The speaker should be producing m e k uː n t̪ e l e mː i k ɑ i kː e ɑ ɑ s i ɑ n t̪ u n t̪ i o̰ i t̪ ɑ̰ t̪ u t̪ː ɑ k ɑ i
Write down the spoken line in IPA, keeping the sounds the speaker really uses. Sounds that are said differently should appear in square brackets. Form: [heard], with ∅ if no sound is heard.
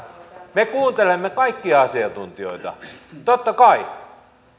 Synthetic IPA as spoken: m e k uː n t̪ e l e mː [e] k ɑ i kː [i] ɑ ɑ s i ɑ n t̪ u n t̪ i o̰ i t̪ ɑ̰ t̪ [o] t̪ː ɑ k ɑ i